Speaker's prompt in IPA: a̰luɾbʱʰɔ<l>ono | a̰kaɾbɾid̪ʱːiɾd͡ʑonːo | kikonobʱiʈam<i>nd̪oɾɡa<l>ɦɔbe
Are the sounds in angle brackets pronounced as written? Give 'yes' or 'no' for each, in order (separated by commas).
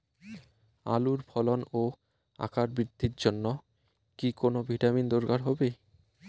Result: yes, yes, no